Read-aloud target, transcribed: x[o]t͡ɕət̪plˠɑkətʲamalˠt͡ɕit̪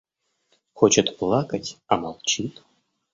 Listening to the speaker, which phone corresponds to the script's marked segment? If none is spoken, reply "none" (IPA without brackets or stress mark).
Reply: o